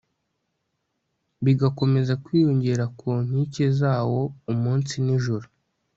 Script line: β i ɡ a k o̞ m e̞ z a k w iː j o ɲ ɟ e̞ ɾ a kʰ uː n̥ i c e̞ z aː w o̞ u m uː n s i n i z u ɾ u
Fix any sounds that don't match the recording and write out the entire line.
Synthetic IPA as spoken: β i ɡ a k o̞ m e̞ z a k w iː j o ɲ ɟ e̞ ɾ a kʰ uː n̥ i c e̞ z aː w o̞ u m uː n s i n i ʒ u ɾ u